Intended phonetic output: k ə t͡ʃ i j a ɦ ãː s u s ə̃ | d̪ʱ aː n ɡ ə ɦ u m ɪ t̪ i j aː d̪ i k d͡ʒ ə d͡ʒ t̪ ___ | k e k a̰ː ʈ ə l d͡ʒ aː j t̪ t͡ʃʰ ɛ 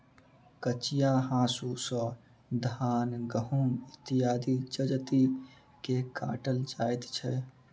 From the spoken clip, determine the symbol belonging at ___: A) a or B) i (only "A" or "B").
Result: B